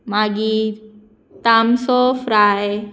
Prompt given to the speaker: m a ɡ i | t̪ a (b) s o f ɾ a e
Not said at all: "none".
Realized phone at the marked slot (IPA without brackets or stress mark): m